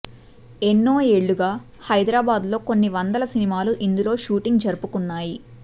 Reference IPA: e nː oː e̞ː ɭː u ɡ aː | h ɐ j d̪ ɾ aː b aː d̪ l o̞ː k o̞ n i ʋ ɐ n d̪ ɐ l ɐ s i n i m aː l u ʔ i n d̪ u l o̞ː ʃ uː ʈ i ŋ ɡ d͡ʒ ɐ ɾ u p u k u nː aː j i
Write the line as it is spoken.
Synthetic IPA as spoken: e nː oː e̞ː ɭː u ɡ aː | h ɐ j d̪ ɾ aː b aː d̪ l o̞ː k o̞ nː i ʋ ɐ n d̪ ɐ l ɐ s i n i m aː l u ʔ i n d̪ u l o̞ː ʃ uː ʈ i ŋ ɡ d͡ʒ ɐ ɾ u p u k u nː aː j i